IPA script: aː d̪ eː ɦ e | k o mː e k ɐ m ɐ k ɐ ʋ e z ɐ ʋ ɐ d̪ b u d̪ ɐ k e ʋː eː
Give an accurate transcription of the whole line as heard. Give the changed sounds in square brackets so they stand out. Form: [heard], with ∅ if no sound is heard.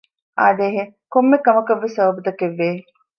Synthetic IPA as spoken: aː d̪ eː ɦ e | k o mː e k ɐ m ɐ k ɐ [ʋː] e [s] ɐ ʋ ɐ [∅] b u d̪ ɐ k e ʋː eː

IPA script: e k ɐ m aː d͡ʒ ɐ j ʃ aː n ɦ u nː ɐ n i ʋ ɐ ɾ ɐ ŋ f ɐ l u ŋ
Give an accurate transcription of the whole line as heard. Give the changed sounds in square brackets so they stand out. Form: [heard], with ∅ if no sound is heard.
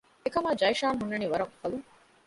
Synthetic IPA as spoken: e k ɐ m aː d͡ʒ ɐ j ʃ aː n ɦ u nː ɐ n i ʋ ɐ ɾ ɐ ŋ f ɐ l u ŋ

